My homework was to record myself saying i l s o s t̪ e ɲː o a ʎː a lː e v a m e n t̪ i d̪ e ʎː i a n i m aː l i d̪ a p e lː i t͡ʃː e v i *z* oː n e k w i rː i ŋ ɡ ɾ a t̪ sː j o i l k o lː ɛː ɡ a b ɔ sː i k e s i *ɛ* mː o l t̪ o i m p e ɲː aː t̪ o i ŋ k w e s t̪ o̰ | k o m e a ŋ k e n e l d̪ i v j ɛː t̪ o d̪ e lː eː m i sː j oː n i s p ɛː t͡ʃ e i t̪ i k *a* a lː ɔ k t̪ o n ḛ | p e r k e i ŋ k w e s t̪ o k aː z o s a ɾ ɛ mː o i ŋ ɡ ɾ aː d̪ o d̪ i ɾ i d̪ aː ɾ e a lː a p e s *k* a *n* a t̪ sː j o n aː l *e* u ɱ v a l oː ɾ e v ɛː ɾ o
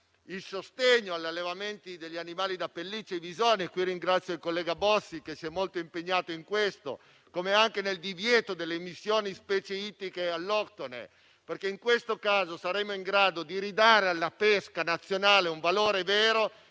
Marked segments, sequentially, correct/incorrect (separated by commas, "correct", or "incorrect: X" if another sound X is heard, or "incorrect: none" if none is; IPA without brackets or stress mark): correct, correct, incorrect: e, correct, correct, correct